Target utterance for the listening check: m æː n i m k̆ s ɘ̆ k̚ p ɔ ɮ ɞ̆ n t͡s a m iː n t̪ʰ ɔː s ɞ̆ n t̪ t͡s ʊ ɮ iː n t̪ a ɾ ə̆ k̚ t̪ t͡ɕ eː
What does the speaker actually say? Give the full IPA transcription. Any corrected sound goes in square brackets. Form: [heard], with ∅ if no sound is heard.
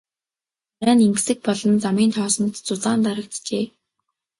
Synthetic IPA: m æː n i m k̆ s ɘ̆ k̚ p ɔ ɮ ɞ̆ n t͡s a m iː n t̪ʰ ɔː s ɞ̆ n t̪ t͡s ʊ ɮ [aː] n t̪ a ɾ ə̆ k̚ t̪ t͡ɕ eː